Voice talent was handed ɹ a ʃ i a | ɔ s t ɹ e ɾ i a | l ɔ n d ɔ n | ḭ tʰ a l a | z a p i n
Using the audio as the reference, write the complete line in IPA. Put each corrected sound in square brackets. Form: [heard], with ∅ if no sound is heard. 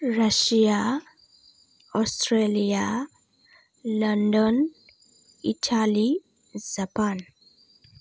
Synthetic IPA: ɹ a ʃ i a | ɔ s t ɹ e [l] i a | l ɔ n d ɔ n | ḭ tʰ a l [i] | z a p [a] n